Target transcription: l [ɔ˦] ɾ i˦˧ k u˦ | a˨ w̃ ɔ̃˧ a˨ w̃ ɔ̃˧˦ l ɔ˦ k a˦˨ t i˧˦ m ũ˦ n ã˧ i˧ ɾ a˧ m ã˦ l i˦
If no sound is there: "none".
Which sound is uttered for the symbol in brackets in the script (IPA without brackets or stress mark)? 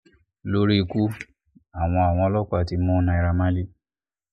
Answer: o˦